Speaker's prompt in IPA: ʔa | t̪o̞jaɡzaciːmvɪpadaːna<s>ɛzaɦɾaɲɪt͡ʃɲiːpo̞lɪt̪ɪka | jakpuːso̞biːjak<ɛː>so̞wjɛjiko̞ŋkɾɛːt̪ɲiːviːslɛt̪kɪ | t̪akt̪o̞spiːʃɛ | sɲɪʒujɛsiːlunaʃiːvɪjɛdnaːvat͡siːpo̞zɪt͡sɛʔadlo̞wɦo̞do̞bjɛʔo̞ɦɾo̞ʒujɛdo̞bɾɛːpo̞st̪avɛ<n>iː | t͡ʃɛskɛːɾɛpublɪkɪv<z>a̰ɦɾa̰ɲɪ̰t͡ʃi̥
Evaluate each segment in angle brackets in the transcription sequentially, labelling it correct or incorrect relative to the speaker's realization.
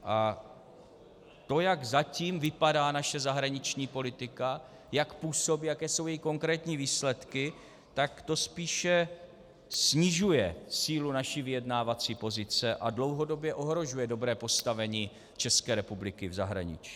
incorrect: ʃ, correct, incorrect: ɲ, correct

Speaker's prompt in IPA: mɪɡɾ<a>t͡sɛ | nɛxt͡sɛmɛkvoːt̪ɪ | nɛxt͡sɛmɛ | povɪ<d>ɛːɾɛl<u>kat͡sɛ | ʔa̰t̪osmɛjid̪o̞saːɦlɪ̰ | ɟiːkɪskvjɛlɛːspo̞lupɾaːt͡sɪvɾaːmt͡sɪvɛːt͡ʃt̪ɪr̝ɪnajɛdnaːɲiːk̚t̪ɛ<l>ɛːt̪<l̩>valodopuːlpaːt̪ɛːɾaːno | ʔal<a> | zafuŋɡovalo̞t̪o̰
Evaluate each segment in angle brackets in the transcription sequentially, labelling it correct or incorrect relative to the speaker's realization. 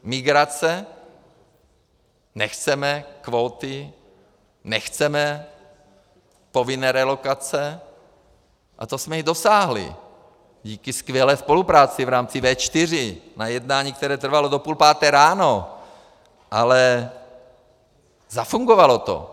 correct, incorrect: n, incorrect: o, incorrect: ɾ, incorrect: r̩, incorrect: ɛ

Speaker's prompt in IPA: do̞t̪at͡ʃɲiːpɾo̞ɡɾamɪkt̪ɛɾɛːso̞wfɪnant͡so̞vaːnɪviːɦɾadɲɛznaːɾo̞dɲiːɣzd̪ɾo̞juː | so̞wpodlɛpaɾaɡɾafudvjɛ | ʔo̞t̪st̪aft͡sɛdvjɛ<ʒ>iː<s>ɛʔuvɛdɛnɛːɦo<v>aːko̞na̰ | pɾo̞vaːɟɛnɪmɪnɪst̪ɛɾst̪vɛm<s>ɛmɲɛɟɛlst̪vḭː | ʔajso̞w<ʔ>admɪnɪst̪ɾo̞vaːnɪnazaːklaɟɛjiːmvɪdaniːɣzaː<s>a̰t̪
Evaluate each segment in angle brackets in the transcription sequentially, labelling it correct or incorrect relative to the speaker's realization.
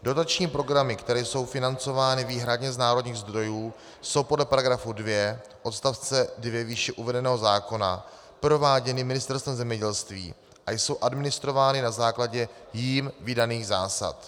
incorrect: v, incorrect: ʃ, incorrect: z, incorrect: z, correct, correct

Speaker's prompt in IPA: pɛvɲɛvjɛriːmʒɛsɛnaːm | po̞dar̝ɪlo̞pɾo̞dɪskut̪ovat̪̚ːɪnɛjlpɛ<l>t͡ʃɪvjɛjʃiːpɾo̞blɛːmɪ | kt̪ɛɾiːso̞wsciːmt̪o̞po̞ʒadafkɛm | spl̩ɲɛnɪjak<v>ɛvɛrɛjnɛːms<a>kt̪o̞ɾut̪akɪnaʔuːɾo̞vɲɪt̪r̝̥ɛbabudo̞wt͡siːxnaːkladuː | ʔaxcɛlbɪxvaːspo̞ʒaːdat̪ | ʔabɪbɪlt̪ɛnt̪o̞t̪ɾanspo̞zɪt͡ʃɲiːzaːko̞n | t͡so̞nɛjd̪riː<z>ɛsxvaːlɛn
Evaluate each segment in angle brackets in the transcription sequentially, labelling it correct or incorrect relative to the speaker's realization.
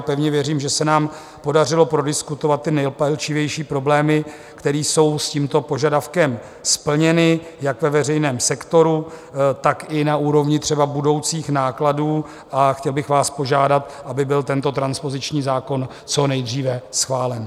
correct, correct, incorrect: ɛ, incorrect: v

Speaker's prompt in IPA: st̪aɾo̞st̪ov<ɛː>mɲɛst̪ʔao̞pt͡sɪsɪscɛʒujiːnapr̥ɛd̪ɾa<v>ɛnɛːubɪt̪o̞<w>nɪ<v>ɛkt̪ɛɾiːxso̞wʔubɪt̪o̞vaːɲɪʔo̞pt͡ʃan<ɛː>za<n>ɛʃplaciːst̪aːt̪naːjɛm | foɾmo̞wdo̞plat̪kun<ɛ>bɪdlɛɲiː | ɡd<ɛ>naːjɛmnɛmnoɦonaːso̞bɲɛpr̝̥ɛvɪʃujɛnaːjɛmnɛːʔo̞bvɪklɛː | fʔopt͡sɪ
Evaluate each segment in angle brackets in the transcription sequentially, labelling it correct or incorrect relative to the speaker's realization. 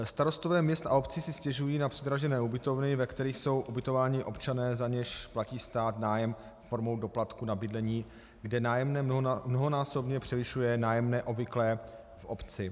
correct, incorrect: ʒ, incorrect: v, correct, correct, incorrect: ɲ, incorrect: a, correct

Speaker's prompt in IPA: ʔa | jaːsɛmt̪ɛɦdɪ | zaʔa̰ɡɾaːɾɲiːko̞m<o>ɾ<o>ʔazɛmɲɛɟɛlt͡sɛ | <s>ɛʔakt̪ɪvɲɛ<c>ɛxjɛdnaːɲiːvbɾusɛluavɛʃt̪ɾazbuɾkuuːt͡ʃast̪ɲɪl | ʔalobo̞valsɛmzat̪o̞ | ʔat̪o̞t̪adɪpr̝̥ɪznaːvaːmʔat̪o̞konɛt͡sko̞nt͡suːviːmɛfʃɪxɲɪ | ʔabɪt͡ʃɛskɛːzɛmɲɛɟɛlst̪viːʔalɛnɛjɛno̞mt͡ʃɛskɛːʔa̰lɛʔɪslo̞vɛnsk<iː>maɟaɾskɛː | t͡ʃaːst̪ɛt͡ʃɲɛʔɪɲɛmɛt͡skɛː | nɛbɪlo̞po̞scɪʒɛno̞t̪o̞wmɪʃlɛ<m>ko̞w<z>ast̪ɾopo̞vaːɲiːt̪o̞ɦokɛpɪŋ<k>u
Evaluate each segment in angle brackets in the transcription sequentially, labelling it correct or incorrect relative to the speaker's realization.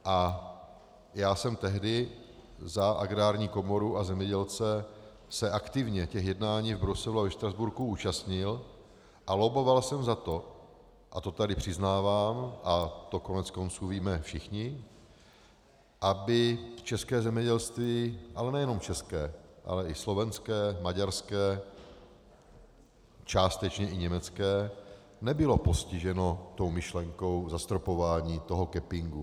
correct, incorrect: u, correct, correct, incorrect: ɛː, incorrect: ŋ, correct, incorrect: ɡ

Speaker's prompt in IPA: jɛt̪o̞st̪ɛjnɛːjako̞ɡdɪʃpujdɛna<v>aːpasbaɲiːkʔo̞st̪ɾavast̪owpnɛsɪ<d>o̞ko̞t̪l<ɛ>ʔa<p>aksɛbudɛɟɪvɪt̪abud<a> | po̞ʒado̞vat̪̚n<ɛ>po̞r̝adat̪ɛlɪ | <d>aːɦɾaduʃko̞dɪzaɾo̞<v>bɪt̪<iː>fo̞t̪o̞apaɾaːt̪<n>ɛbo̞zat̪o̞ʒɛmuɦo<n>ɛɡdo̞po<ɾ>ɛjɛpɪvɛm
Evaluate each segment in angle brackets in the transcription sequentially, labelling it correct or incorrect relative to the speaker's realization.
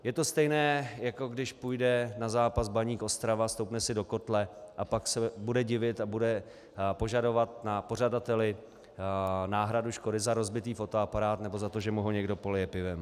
incorrect: z, correct, correct, correct, incorrect: ɛ, incorrect: a, incorrect: n, incorrect: z, correct, correct, incorrect: ɲ, incorrect: l

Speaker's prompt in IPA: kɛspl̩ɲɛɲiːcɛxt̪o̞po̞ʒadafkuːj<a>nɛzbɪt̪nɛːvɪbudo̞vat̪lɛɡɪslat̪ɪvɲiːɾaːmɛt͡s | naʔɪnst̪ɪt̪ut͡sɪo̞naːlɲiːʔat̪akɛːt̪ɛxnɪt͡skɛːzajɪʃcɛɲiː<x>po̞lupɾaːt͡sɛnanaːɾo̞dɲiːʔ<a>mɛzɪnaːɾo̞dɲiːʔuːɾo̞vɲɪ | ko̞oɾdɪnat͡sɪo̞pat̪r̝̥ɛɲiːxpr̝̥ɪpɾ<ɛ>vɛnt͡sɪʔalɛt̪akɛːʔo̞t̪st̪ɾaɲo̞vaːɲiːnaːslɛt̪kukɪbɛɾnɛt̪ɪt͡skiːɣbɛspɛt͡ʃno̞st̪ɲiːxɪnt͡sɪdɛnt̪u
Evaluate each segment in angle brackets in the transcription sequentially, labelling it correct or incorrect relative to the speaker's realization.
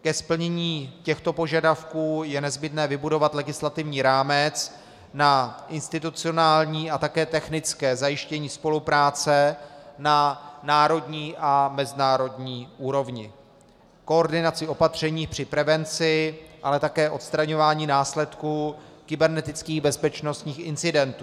incorrect: ɛ, incorrect: s, correct, correct

